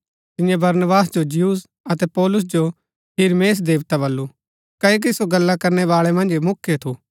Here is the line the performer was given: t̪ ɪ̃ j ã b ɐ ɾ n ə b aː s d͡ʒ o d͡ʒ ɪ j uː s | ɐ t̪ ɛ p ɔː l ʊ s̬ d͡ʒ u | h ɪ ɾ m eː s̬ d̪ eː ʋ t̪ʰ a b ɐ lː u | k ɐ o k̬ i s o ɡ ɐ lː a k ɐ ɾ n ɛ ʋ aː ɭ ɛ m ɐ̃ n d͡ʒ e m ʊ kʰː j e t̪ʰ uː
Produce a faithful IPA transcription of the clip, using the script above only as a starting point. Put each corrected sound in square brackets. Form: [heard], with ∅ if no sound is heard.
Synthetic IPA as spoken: t̪ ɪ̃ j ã b ɐ ɾ n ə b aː s d͡ʒ o d͡ʒ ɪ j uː s | ɐ t̪ ɛ p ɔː l ʊ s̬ d͡ʒ [o] | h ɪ ɾ m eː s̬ d̪ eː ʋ [t̪] a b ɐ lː u | k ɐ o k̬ i s o ɡ ɐ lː a k ɐ ɾ n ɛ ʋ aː ɭ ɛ m ɐ̃ n d͡ʒ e m ʊ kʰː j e t̪ʰ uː